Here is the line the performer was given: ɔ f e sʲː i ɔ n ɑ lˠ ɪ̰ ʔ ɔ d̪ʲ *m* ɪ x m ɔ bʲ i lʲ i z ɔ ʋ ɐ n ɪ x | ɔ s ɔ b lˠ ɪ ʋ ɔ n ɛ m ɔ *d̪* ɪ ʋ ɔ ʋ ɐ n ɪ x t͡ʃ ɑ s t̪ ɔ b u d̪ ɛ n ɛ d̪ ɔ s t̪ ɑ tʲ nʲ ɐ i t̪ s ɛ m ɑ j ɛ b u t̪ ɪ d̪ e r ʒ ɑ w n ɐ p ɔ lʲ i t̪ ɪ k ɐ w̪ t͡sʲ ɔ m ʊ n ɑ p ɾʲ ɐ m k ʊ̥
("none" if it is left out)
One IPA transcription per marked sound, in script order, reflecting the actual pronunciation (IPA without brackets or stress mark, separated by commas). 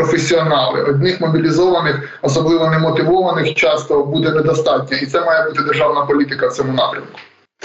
n, t̪